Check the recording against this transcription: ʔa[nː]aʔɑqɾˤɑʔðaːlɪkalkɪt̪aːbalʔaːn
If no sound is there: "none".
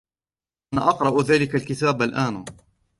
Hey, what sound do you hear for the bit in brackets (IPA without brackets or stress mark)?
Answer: n